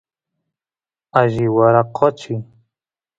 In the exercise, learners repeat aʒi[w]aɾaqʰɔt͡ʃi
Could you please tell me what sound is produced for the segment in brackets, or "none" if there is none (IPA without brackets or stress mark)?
w